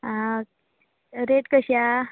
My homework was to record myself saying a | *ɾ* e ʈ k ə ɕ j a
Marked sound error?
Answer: no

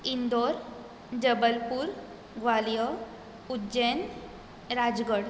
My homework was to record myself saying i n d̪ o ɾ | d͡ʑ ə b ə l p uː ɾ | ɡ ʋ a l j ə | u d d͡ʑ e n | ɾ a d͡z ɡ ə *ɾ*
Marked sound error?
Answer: yes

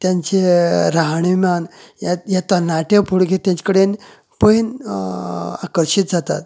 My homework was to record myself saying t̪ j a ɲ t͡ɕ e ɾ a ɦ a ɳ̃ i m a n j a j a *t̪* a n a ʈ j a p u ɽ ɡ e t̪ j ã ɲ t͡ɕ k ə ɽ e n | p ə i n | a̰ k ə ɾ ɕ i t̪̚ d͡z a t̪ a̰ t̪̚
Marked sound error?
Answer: no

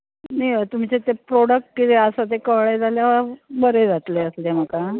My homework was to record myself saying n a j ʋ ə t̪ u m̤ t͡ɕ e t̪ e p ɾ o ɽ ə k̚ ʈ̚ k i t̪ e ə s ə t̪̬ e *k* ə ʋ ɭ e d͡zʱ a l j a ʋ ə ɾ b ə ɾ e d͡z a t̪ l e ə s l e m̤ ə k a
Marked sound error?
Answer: no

